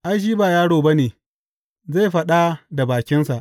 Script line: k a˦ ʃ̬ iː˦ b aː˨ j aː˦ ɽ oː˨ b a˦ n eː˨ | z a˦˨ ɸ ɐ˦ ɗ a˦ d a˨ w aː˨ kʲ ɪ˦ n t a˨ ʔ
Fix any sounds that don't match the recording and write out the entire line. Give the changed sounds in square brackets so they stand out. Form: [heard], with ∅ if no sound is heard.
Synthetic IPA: [ʔ] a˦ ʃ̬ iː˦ b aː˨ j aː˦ ɽ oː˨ b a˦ n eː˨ | z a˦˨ ɸ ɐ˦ ɗ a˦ d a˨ [b] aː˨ kʲ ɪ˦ n [s] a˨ ʔ

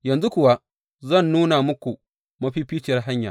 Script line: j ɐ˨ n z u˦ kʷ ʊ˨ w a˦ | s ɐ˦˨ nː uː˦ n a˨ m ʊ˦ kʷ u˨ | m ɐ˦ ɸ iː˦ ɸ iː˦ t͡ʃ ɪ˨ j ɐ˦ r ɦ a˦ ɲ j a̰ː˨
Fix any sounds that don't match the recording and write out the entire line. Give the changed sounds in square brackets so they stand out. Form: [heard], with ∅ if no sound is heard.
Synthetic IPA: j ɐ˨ n z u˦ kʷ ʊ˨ w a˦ | [z] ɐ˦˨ nː uː˦ n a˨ m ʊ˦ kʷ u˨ | m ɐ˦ ɸ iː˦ ɸ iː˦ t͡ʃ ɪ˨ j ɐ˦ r ɦ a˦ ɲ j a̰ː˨

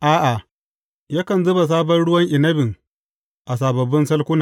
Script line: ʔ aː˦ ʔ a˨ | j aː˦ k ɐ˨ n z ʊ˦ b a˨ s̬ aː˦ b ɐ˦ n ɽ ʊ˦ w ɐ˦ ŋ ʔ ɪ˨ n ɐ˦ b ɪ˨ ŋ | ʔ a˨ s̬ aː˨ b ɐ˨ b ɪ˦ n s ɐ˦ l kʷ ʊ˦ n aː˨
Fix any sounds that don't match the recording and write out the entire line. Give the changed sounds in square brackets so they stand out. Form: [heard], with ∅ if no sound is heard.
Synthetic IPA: ʔ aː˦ ʔ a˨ | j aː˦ k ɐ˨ n z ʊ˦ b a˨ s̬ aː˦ b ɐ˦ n ɽ ʊ˦ w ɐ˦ ŋ ʔ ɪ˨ n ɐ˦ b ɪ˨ ŋ | ʔ a˨ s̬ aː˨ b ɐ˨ b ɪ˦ n s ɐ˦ l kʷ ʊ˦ n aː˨

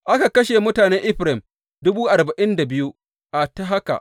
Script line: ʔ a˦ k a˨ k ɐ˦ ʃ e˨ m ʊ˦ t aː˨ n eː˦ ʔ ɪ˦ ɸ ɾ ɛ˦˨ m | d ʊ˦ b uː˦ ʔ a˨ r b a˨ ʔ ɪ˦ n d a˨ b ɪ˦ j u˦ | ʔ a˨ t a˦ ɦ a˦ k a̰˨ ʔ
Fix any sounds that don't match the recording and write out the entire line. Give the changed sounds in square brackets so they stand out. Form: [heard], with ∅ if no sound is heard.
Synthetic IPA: ʔ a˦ k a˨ k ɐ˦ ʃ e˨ m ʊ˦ t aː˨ n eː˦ ʔ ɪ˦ ɸ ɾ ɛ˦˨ m | d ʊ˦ b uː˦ ʔ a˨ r b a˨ ʔ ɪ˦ n d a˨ b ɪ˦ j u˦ | ʔ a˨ t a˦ ɦ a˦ k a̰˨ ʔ

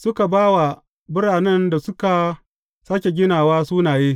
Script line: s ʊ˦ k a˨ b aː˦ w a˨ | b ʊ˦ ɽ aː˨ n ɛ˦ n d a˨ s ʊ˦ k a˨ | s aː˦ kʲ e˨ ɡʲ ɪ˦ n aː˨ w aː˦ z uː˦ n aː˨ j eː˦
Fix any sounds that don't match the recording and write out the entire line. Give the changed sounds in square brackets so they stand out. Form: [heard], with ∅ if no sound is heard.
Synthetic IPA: s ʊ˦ k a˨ b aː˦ w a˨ | b ʊ˦ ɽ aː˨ n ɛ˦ n d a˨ s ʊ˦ k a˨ | s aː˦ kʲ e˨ ɡʲ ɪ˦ n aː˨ w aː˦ [s] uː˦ n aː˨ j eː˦

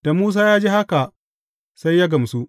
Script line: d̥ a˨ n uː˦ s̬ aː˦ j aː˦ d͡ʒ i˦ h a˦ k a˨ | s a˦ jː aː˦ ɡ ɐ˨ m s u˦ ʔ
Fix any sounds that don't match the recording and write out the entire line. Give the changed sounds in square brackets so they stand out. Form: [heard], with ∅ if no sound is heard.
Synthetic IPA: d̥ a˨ [m] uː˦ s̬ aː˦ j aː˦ d͡ʒ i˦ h a˦ k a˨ | s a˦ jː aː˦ ɡ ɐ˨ m s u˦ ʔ

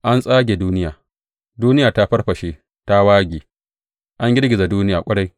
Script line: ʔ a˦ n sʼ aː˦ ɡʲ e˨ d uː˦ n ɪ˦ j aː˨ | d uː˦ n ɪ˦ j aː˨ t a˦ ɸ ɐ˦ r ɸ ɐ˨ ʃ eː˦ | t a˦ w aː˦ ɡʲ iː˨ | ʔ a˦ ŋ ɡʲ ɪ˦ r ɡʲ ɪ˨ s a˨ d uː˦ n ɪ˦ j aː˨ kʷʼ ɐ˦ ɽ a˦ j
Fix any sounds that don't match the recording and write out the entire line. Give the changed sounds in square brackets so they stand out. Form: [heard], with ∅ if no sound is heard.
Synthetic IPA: ʔ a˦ n sʼ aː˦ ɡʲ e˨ d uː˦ n ɪ˦ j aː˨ | d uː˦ n ɪ˦ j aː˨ t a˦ ɸ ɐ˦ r ɸ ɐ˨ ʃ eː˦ | t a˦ w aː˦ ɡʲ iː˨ | ʔ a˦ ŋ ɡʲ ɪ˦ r ɡʲ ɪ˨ [z] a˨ d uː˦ n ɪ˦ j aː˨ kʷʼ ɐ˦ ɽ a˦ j

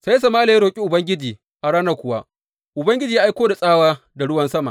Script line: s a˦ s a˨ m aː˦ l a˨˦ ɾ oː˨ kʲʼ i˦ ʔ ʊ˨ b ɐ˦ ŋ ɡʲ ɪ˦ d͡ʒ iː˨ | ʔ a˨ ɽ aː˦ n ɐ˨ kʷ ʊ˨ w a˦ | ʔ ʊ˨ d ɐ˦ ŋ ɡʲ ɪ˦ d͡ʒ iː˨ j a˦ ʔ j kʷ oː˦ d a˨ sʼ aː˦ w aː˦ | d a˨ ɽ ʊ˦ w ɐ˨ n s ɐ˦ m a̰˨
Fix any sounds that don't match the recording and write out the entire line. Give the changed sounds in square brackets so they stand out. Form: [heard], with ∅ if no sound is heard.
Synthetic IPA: s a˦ s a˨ m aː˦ l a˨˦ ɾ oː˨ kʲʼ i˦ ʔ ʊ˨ b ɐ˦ ŋ ɡʲ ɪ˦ d͡ʒ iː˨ | ʔ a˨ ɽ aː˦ n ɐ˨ kʷ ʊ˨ w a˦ | ʔ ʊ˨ [b] ɐ˦ ŋ ɡʲ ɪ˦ d͡ʒ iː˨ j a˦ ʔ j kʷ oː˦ d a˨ sʼ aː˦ w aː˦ | d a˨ ɽ ʊ˦ w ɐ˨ n s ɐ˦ m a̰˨

